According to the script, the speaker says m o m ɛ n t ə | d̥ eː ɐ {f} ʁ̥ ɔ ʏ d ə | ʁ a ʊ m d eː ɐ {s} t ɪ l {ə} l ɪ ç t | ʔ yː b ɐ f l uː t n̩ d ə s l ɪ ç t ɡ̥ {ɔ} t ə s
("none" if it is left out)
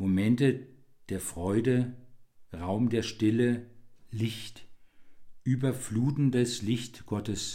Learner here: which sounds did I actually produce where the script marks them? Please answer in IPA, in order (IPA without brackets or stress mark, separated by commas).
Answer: f, ʃ, ə, ɔ